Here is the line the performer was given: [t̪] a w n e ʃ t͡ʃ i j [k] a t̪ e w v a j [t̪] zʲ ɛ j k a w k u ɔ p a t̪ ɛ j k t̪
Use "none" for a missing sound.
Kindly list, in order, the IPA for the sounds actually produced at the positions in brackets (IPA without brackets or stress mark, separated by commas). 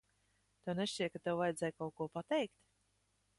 t̪, k, d̪